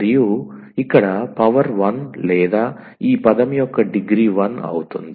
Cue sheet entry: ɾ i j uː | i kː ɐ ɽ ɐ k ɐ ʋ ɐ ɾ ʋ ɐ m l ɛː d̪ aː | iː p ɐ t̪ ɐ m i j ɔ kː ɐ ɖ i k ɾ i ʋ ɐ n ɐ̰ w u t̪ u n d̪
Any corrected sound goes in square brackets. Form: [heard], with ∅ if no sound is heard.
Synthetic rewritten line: ɾ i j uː | i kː ɐ ɽ ɐ [p] ɐ ʋ ɐ ɾ ʋ ɐ [n] l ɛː d̪ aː | iː p ɐ [d̪] ɐ m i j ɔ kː ɐ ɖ i [ɡ] ɾ i ʋ ɐ n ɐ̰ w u t̪ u n d̪